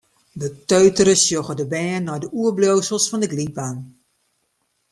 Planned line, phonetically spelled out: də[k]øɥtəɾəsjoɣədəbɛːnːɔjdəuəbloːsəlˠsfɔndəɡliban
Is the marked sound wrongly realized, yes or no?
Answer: yes